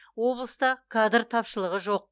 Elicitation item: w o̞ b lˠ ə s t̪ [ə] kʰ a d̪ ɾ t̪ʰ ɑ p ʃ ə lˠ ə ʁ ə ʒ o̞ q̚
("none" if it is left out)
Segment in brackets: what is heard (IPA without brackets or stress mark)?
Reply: ɑ